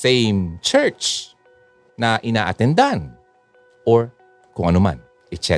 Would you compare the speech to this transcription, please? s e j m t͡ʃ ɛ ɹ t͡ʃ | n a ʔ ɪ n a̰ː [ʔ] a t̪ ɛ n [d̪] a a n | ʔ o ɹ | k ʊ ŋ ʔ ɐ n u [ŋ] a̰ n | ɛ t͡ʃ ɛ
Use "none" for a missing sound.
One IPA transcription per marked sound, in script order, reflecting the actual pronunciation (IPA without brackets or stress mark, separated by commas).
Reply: ʔ, d̪, m